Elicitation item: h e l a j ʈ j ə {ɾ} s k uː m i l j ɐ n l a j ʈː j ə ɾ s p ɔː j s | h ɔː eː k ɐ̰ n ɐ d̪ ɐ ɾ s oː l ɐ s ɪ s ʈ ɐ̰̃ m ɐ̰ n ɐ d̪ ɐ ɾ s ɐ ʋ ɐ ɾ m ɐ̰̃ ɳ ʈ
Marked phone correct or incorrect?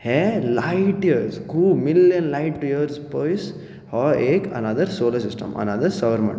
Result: correct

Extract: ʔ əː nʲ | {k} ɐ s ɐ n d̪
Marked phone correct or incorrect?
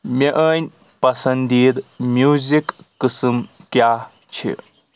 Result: incorrect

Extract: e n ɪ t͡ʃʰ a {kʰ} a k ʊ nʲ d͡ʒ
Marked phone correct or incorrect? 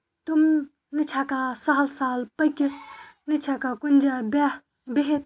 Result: incorrect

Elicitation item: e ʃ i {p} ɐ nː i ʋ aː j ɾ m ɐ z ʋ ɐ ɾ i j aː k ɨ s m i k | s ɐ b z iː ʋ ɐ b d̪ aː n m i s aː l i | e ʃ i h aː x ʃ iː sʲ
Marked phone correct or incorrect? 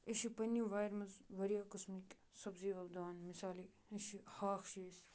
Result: correct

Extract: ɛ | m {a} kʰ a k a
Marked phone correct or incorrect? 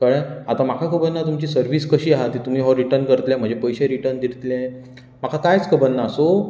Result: correct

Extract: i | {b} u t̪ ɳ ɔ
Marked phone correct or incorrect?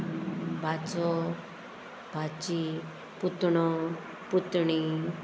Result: incorrect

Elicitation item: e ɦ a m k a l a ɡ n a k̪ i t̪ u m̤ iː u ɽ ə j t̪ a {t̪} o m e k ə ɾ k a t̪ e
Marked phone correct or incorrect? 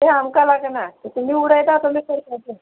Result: correct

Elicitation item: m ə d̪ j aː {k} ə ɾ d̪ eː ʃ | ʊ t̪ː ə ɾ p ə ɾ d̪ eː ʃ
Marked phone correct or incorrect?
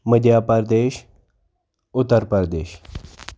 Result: incorrect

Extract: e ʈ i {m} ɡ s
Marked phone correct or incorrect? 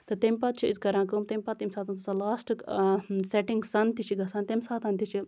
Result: incorrect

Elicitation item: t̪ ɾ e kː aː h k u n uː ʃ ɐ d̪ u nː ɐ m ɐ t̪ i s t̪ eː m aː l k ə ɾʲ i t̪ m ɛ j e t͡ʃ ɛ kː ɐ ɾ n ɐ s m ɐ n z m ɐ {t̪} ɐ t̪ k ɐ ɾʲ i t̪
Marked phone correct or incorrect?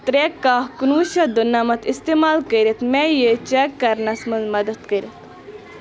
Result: incorrect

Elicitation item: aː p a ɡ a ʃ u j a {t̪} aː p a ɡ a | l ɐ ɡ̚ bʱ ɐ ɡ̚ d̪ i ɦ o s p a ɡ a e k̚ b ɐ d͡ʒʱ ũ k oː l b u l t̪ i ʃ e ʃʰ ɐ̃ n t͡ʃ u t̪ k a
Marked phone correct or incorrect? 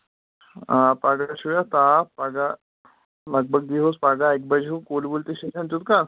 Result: correct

